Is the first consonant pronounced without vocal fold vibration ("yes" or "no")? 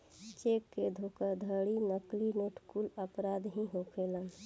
yes